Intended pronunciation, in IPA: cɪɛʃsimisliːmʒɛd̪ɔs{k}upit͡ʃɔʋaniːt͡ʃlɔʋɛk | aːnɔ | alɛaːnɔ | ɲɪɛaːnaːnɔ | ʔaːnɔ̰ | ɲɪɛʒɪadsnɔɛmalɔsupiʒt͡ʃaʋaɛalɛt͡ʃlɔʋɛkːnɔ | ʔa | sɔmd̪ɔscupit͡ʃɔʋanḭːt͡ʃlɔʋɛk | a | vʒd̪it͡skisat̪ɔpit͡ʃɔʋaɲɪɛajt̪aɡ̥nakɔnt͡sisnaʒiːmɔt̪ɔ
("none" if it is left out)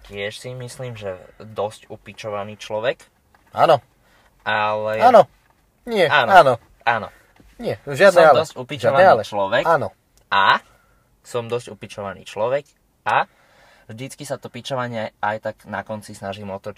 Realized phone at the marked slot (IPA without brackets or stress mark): c